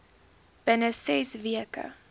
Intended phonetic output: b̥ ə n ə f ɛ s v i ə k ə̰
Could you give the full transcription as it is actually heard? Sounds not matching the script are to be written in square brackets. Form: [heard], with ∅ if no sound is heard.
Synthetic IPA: b̥ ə n ə [s] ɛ s v i ə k ə̰